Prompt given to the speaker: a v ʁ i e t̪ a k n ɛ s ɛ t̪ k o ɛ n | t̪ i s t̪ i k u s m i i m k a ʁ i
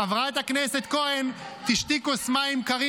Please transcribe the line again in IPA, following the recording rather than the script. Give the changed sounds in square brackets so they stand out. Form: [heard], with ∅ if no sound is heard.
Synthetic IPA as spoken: a v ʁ [a] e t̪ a k n ɛ s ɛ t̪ k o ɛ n | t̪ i [ʃ] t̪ i k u s m [a] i m k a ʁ i

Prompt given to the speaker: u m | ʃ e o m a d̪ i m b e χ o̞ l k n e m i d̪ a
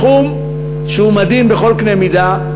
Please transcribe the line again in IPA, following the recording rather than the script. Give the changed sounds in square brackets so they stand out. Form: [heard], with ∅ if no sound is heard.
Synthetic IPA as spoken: u m | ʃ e [u] m a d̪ i m b e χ o̞ l k n e m i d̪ a

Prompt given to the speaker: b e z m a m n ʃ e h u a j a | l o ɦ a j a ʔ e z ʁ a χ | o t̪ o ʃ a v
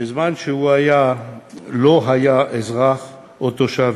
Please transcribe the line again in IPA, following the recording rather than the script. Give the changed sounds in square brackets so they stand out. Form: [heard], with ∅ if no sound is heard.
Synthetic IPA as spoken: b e z m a [∅] n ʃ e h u a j a | l o ɦ a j a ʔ e z ʁ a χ | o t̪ o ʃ a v

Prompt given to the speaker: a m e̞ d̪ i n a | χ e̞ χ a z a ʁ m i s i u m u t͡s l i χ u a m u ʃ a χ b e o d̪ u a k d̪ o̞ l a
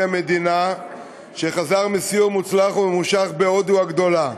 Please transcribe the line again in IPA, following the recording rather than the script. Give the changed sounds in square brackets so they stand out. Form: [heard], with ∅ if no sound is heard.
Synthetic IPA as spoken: a m e̞ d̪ i n a | [ʃ] e̞ χ a z a ʁ m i s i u m u t͡s l [a] χ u [e] m u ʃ a χ b e o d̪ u a [ɡ] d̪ o̞ l a

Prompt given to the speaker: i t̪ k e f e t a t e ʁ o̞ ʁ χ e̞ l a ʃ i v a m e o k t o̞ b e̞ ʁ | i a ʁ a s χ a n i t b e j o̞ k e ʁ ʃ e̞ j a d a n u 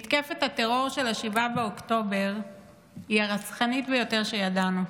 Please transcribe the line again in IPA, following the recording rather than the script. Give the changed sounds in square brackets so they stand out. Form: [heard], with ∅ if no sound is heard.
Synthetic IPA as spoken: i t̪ k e f e t a t e ʁ o̞ ʁ [ʃ] e̞ l a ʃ i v a [b] e o k t o̞ b e̞ ʁ | i a ʁ a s χ a n i t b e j o̞ [t] e ʁ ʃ e̞ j a d a n u

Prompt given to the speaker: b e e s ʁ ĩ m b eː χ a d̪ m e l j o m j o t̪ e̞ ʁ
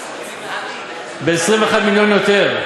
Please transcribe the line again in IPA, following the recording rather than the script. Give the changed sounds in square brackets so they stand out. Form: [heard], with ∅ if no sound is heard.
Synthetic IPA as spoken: b e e s ʁ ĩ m [v] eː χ a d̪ m [i] l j o [n] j o t̪ e̞ ʁ

